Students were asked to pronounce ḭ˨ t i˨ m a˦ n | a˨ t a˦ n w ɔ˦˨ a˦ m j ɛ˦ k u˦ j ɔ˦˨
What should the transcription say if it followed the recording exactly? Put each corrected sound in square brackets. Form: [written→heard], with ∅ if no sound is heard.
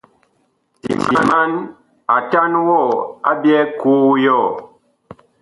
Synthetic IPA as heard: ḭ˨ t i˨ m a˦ n | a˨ t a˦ n w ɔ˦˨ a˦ [m→b] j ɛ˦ k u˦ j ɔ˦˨